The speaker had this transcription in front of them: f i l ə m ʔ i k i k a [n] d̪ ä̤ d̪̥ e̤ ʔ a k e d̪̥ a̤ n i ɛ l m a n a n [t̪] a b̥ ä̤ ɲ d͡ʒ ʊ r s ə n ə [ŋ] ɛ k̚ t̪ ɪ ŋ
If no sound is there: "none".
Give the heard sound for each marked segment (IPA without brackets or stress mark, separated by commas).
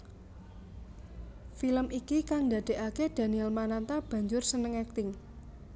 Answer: ŋ, t̪, ŋ